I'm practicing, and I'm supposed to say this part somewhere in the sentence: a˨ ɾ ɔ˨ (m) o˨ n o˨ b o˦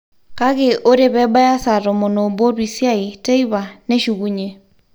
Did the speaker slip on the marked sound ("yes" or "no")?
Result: no